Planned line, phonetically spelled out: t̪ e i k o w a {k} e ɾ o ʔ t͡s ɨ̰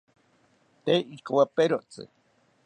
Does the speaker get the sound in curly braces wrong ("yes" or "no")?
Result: yes